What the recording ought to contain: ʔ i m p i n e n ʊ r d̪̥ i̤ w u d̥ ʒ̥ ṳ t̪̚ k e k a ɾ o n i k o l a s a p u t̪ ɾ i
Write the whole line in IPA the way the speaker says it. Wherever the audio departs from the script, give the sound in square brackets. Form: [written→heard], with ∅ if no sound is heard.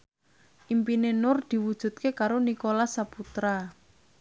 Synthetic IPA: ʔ i m p i n e n ʊ r d̪̥ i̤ w u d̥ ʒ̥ ṳ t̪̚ k e k a ɾ o n i k o l a s a p u t̪ ɾ [i→a]